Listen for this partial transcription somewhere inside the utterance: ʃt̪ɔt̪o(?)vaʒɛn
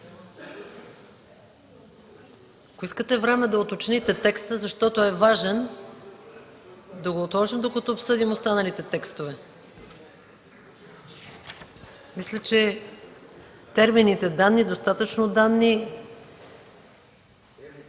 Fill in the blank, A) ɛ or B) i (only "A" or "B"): A